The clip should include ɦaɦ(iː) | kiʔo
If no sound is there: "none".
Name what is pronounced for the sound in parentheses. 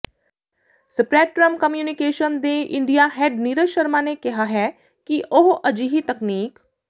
ɛː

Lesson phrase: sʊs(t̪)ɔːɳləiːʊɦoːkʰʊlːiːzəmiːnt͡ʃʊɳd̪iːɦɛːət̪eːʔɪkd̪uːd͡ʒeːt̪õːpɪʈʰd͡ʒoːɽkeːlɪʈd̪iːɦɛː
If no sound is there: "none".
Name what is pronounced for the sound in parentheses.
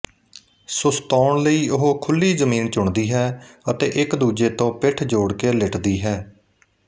t̪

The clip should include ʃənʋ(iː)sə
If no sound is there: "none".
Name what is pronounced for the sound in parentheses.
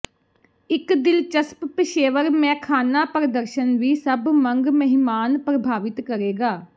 iː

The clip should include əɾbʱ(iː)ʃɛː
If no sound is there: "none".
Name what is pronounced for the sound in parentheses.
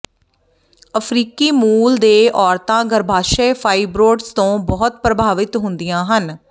aː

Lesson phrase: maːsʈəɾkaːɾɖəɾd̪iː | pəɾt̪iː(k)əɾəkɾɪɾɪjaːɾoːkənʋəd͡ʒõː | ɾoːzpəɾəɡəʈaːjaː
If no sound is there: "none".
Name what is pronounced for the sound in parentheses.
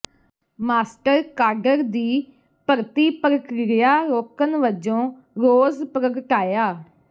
p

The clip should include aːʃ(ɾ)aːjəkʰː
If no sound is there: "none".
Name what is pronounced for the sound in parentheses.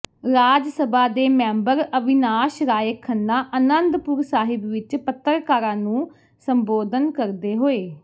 ɾ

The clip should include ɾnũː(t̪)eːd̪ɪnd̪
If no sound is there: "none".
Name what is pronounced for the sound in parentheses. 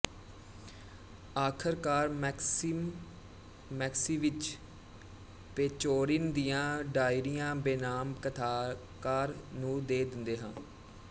d̪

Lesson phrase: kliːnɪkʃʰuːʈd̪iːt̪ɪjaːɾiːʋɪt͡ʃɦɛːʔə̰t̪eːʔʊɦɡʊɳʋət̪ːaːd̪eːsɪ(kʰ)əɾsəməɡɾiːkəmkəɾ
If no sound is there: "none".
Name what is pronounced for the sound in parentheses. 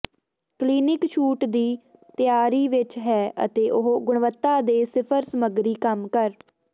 pʰ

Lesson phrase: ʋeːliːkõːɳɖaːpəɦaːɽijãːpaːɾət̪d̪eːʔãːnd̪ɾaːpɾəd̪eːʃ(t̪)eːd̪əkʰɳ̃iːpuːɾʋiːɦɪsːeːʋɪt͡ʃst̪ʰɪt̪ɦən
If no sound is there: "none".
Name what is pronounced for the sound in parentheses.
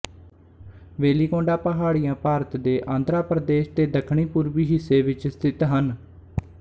t̪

